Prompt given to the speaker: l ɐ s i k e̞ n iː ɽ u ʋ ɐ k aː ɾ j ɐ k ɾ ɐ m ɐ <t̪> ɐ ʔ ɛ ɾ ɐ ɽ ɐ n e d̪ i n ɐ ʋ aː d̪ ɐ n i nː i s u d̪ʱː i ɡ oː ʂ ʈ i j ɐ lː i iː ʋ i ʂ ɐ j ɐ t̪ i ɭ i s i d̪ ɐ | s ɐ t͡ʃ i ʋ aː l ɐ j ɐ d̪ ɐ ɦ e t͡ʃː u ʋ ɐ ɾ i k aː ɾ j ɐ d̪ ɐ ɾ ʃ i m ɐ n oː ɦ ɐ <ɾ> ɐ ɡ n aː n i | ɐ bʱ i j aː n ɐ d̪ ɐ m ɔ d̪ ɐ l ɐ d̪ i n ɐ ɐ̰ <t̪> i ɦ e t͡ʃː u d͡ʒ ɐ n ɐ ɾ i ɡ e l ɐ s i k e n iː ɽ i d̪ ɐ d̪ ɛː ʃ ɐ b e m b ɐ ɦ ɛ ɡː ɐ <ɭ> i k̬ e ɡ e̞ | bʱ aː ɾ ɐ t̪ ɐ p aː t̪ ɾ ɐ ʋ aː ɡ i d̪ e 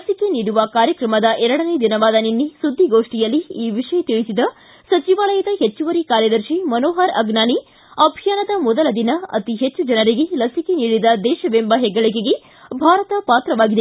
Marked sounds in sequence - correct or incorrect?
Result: incorrect: d̪, correct, correct, correct

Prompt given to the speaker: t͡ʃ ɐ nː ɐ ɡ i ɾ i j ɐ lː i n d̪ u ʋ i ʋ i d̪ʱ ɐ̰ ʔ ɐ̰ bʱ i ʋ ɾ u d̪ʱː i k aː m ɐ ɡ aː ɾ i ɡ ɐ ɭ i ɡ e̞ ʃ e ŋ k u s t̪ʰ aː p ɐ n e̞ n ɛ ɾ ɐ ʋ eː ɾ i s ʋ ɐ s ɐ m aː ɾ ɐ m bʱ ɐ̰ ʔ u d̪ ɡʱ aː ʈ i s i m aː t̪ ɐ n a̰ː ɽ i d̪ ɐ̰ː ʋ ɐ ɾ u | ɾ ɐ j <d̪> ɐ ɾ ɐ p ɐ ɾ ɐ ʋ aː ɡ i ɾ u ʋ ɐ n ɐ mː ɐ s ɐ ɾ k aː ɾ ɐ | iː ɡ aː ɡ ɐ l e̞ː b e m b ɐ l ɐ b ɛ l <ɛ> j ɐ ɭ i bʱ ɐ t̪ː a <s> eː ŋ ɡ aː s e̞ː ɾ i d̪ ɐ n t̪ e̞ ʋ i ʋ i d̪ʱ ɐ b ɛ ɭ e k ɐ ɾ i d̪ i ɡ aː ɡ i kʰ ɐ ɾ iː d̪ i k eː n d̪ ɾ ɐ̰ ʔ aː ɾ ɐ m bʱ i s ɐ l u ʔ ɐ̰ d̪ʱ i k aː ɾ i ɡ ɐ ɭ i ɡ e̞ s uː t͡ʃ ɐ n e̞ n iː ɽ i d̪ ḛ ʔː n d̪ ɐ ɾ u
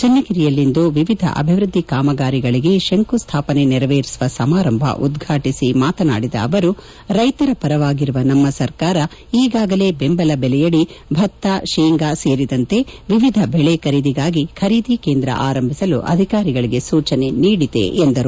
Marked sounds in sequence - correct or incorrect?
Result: incorrect: t̪, correct, incorrect: ʃ

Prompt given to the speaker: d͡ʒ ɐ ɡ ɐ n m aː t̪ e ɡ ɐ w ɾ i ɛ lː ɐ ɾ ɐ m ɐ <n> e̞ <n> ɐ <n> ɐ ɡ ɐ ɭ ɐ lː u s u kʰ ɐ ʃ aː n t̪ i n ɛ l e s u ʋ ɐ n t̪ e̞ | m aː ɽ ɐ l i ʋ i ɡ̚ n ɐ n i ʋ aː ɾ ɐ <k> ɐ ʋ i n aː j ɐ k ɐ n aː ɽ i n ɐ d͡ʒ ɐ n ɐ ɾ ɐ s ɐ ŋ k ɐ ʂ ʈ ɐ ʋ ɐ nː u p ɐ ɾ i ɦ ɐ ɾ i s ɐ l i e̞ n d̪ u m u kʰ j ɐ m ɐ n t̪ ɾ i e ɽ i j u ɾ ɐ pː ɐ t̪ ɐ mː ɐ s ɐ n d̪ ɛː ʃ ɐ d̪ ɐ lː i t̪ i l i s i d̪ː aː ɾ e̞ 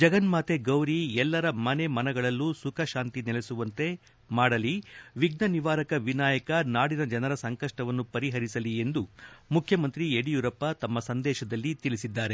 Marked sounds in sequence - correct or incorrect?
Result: correct, incorrect: m, correct, correct

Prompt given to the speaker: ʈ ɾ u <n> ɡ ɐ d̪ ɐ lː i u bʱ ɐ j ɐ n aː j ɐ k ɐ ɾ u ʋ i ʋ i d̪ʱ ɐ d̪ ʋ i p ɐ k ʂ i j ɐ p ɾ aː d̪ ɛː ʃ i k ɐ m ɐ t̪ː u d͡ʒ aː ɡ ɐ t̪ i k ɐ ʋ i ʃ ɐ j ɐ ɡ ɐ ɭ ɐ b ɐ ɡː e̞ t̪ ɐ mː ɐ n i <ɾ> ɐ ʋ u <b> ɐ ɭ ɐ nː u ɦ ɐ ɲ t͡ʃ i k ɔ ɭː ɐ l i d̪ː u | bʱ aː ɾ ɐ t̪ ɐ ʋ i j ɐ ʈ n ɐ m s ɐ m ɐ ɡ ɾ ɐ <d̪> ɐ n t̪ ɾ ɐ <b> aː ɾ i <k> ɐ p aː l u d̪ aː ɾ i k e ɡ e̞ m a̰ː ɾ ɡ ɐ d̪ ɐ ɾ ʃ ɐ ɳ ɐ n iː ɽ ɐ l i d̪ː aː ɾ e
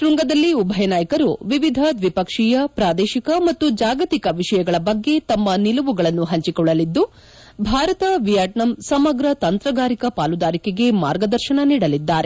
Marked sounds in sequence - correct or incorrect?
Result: incorrect: ŋ, incorrect: l, incorrect: ɡ, incorrect: t̪, incorrect: ɡ, correct

